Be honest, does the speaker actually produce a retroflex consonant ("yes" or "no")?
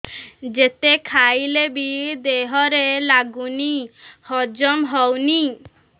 no